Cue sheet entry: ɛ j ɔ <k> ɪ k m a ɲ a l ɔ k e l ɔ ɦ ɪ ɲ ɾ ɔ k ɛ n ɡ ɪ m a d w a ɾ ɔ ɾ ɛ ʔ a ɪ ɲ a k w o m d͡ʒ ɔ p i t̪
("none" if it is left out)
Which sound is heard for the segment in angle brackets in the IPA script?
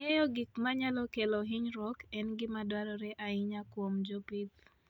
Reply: ɡ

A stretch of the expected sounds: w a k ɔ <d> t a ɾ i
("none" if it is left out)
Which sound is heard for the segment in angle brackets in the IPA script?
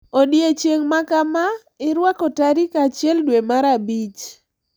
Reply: none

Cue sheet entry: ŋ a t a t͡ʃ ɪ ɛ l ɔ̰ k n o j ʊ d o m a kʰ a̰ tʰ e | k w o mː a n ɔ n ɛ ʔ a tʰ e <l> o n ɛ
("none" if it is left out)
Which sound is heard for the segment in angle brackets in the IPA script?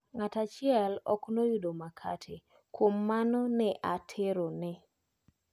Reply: ɾ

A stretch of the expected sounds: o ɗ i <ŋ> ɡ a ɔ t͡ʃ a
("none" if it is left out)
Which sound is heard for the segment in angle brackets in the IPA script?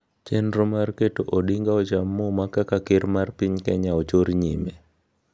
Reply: ŋ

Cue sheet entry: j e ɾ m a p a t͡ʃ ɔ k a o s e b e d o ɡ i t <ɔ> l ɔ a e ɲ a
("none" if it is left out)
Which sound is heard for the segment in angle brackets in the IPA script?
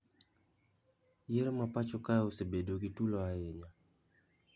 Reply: u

